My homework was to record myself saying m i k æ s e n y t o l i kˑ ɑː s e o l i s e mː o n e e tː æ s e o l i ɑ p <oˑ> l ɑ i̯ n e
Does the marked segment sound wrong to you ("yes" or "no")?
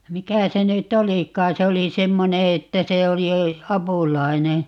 yes